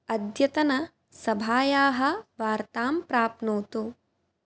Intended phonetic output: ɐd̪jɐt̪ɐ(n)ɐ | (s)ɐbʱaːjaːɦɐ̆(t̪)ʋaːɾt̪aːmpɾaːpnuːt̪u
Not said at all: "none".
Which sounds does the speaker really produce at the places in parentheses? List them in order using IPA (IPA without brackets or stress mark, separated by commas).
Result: n, s, none